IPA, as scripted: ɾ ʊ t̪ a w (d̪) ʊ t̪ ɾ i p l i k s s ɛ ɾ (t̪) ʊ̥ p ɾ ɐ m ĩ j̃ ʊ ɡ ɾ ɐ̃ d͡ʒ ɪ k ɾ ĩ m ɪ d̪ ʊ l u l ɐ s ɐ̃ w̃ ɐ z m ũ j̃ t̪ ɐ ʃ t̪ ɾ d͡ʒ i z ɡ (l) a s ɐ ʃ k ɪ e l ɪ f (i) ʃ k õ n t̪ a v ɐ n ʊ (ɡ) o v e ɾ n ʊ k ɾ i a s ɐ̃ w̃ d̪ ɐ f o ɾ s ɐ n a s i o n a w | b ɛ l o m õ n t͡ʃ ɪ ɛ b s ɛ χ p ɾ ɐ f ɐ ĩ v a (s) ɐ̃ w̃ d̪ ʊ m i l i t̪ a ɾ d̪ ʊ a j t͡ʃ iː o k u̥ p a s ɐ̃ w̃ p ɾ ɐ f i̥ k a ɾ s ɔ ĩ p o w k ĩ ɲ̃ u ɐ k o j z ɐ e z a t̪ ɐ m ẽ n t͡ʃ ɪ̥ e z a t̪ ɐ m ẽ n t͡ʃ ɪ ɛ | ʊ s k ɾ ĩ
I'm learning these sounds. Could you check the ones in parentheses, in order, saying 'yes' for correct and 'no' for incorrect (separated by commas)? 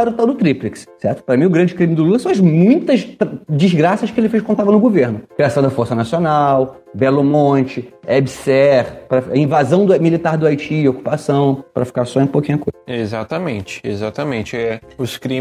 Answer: yes, yes, no, no, yes, no